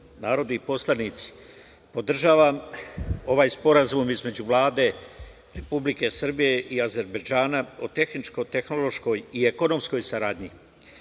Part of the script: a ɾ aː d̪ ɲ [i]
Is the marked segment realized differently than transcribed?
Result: no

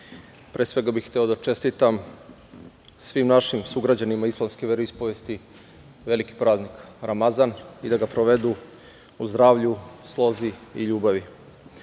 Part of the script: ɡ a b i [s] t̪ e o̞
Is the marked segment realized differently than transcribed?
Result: yes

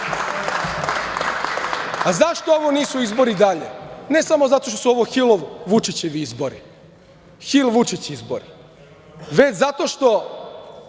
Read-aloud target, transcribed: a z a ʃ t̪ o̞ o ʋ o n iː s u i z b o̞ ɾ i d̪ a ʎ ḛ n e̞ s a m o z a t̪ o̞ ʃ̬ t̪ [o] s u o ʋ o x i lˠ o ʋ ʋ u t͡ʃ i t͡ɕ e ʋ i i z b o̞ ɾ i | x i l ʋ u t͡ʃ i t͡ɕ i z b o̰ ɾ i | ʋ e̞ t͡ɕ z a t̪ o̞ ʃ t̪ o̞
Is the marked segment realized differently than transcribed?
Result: no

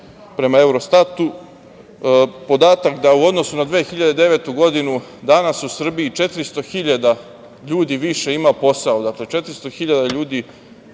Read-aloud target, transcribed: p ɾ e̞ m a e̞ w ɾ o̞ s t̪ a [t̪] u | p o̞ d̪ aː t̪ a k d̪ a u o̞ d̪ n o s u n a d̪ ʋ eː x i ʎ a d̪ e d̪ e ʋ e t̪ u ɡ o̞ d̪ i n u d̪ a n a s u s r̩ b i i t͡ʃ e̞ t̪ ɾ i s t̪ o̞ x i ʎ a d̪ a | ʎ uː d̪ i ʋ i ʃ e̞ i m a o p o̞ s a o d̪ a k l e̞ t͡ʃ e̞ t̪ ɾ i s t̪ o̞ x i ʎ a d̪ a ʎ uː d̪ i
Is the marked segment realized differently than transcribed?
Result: no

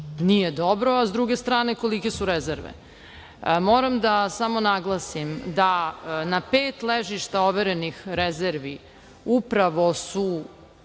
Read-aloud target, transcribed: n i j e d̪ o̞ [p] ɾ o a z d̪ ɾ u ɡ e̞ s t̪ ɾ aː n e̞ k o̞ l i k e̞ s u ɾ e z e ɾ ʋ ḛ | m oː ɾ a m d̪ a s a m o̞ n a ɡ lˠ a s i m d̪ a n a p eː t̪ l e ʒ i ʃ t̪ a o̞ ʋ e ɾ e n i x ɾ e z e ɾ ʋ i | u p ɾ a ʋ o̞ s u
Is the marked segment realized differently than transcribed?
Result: yes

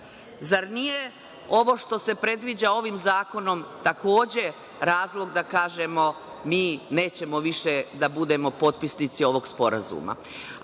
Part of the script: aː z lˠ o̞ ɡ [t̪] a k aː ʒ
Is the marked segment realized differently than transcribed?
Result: yes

